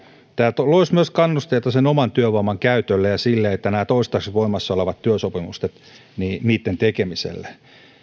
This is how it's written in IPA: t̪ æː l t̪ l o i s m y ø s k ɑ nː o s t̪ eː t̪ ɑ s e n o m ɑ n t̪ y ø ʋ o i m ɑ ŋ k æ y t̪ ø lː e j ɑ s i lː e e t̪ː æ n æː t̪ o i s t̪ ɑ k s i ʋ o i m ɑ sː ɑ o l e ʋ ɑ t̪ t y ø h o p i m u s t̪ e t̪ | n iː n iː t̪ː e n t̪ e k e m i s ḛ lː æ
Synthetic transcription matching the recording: t̪ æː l t̪ l o i s m y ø s k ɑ nː u s t̪ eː t̪ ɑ s e n o m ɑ n t̪ y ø ʋ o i m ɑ ŋ k æ y t̪ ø lː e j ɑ s i lː e e t̪ː æ n æː t̪ o i s t̪ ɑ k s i ʋ o i m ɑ sː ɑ o l e ʋ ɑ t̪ t y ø s o p i m u s t̪ e t̪ | n iː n iː t̪ː e n t̪ e k e m i s ḛ lː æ

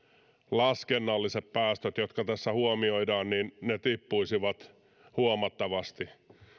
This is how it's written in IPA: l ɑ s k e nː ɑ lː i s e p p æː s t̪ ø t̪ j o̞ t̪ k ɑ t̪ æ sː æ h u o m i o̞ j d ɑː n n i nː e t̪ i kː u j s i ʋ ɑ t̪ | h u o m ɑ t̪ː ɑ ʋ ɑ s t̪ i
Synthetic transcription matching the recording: l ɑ s k e nː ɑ lː i s e p p æː s t̪ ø t̪ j o̞ t̪ k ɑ t̪ æ sː æ h u o m i o̞ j d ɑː n n i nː e t̪ i pː u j s i ʋ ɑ t̪ | h u o m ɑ t̪ː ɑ ʋ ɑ s t̪ i

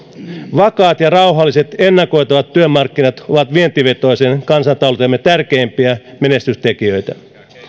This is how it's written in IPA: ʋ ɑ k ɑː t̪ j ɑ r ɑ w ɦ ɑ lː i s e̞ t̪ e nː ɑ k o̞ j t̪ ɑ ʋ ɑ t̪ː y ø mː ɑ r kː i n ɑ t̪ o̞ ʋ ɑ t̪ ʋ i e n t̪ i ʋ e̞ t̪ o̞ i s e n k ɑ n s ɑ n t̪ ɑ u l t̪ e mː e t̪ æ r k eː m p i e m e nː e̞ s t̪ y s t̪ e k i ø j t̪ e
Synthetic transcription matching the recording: ʋ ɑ k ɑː t̪ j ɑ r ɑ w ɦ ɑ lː i s e̞ t̪ e nː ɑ k o̞ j t̪ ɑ ʋ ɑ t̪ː y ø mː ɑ r kː i n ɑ t̪ o̞ ʋ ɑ t̪ ʋ i e n t̪ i ʋ e̞ t̪ o̞ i s e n k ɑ n s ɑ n t̪ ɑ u l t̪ e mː e t̪ æ r k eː m p i æ m e n e̞ s t̪ y s t̪ e k i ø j t̪ æ

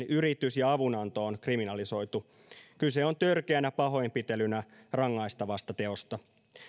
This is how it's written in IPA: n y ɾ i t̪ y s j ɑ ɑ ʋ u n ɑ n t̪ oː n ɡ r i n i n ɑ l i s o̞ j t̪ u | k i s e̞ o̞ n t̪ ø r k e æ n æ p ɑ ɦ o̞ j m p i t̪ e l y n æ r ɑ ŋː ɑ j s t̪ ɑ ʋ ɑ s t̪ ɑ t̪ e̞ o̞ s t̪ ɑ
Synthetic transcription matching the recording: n y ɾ i t̪ y s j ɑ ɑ ʋ u n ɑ n t̪ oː n k r i m i n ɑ l i s o̞ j t̪ u | k y s e̞ o̞ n t̪ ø r k e æ n æ p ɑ ɦ o̞ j m p i t̪ e l y n æ r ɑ ŋː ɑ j s t̪ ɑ ʋ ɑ s t̪ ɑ t̪ e̞ o̞ s t̪ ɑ

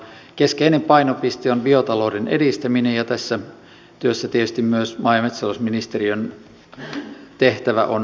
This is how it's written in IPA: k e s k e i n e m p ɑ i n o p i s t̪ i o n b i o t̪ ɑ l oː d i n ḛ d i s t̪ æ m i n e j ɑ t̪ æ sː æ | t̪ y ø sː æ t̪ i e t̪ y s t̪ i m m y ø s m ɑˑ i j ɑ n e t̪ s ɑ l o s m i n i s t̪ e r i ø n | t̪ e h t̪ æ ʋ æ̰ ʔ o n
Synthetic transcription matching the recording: k e s k e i n e m p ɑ i n o p i s t̪ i o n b i o t̪ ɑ l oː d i n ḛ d i s t̪ æ m i n e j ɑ t̪ æ sː æ | t̪ y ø sː æ t̪ i e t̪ y s t̪ i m m y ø s m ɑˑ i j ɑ m e t̪ s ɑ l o s m i n i s t̪ e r i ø n | t̪ e h t̪ æ ʋ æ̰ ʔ o n

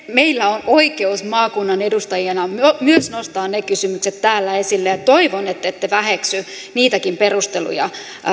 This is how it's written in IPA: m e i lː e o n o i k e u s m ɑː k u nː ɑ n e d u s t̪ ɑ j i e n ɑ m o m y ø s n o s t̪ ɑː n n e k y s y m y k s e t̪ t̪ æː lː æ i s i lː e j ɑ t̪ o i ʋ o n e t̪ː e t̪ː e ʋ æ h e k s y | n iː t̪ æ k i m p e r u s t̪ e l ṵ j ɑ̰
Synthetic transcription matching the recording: m e i lː æ o n o i k e u s m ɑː k u nː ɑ n e d u s t̪ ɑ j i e n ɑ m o m y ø s n o s t̪ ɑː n n e k y s y m y k s e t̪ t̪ æː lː æ e s i lː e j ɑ t̪ o i ʋ o n e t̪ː e t̪ː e ʋ æ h e k s y | n iː t̪ æ k i m p e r u s t̪ e l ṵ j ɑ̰

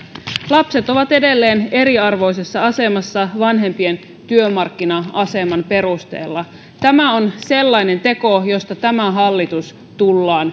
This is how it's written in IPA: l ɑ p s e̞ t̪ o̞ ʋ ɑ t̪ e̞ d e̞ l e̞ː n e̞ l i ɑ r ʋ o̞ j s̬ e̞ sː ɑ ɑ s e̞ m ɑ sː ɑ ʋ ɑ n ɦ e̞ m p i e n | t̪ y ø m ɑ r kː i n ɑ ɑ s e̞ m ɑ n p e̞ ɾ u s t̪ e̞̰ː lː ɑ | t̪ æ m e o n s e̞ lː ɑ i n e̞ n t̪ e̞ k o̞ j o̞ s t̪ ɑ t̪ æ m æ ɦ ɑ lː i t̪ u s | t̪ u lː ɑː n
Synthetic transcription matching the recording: l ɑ p s e̞ t̪ o̞ ʋ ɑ t̪ e̞ d e̞ lː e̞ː n e̞ ɾ i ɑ r ʋ o̞ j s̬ e̞ sː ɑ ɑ s e̞ m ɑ sː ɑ ʋ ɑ n ɦ e̞ m p i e n | t̪ y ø m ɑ r kː i n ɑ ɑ s e̞ m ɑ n p e̞ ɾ u s t̪ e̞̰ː lː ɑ | t̪ æ m æ o n s e̞ lː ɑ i n e̞ n t̪ e̞ k o̞ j o̞ s t̪ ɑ t̪ æ m æ ɦ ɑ lː i t̪ u s | t̪ u lː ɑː n

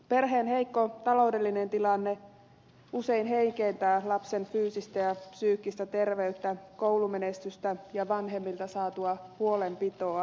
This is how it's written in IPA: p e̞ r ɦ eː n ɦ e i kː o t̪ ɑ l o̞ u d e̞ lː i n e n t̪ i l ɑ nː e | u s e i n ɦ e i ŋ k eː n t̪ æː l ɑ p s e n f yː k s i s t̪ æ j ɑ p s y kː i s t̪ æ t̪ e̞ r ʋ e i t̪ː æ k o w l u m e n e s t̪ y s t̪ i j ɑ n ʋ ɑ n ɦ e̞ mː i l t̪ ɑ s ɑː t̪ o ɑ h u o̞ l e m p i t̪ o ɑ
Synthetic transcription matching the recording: p e̞ r ɦ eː n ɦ e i kː o t̪ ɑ l o̞ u d e̞ lː i n e n t̪ i l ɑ nː e | u s e i n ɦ e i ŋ k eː n t̪ æː l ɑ p s e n f yː s i s t̪ æ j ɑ p s yː kː i s t̪ æ t̪ e̞ r ʋ e y t̪ː æ k o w l u m e n e s t̪ y s t̪ æ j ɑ ʋ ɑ n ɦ e̞ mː i l t̪ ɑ s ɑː t̪ u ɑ h u o̞ l e m p i t̪ o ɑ

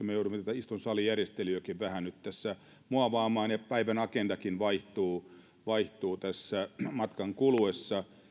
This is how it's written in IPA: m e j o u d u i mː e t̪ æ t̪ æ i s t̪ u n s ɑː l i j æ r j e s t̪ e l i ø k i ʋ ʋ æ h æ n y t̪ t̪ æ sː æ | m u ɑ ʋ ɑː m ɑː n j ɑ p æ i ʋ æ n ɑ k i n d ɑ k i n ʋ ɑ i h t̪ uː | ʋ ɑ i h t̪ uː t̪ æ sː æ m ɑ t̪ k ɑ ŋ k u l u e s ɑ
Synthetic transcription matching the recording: m e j o u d u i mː e t̪ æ t̪ æ i s t̪ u n s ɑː l i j æ r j e s t̪ e l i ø k i ʋ ʋ æ h æ n y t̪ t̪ æ sː æ | m u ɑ ʋ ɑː m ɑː n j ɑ p æ i ʋ æ n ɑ k e n d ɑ k i n ʋ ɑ i h t̪ uː | ʋ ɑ i h t̪ uː t̪ æ sː æ m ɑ t̪ k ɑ ŋ k u l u e sː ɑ

